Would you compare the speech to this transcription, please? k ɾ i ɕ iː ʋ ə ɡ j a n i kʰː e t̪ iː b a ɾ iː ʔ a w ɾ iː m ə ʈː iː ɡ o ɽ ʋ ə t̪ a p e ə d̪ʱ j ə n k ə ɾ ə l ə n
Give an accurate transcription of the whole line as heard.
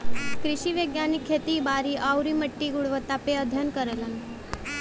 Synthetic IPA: k ɾ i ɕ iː ʋ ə ɡ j a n i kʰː e t̪ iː b a ɾ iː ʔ a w ɾ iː m ə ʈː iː ɡ u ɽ ʋ ə t̪ a p e ə d̪ʱ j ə n k ə ɾ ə l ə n

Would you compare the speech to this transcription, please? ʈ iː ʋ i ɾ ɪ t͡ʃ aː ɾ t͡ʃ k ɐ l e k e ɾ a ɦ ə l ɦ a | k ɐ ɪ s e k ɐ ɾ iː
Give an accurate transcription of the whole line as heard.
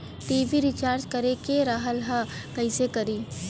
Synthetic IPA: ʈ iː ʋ i ɾ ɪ t͡ʃ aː ɾ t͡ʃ k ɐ ɾ e k e ɾ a ɦ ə l ɦ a | k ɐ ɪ s e k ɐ ɾ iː

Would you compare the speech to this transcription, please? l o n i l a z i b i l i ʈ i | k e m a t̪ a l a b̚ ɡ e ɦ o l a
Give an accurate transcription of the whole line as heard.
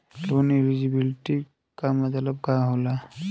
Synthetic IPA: l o n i l i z i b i l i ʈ i | k a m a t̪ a l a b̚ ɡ a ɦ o l a

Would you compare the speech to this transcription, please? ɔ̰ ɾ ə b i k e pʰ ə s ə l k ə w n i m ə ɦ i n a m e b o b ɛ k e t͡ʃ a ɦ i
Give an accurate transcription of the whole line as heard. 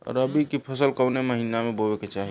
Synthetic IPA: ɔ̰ ɾ ə b i k i pʰ ə s ə l k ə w n e m ə ɦ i n a m e b o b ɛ k e t͡ʃ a ɦ i

